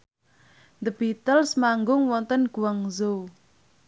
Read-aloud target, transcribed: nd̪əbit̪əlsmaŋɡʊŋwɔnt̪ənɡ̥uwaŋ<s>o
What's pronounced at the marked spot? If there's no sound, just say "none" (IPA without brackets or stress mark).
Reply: z